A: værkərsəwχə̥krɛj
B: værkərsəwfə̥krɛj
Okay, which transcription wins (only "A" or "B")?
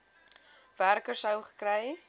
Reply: A